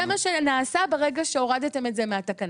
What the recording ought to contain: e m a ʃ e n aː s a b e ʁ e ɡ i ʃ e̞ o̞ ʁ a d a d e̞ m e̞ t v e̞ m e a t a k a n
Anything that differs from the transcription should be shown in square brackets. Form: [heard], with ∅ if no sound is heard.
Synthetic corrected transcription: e m a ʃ e n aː s a b e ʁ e ɡ [a] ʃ e̞ o̞ ʁ a d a [t] e̞ m e̞ t [z] e̞ m e a t a k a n